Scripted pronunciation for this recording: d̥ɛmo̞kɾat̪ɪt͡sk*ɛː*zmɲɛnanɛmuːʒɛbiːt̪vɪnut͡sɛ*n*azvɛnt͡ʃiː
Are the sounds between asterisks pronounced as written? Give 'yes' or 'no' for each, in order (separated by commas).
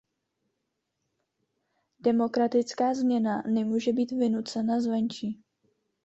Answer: no, yes